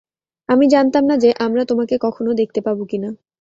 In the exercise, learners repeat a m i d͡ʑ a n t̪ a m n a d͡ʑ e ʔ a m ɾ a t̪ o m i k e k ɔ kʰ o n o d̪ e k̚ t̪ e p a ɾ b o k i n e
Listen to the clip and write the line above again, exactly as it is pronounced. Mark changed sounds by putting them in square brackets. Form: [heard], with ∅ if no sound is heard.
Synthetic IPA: a m i d͡ʑ a n t̪ a m n a d͡ʑ e ʔ a m ɾ a t̪ o m [a] k e k ɔ kʰ o n o d̪ e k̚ t̪ e p a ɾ b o k i n [a]